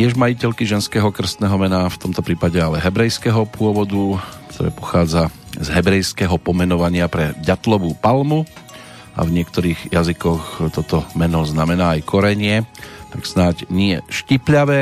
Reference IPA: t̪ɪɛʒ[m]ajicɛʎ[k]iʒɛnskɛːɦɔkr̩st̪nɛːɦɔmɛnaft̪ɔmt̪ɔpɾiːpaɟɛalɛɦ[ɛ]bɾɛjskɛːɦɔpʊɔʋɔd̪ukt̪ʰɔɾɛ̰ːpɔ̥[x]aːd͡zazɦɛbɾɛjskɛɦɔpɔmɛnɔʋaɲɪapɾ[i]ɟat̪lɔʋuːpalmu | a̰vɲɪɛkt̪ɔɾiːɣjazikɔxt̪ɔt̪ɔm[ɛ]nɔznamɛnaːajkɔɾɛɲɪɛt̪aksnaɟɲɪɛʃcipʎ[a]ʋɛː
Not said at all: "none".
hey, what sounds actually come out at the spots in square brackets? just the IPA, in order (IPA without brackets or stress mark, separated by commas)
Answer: m, k, ɛ, x, ɛ, ɛ, a